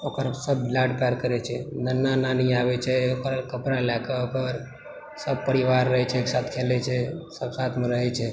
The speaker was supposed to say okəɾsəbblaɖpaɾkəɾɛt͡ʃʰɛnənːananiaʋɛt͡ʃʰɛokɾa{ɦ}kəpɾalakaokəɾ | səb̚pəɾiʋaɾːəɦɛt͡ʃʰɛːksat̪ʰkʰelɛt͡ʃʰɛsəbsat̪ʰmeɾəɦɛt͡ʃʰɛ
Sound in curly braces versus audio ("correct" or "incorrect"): incorrect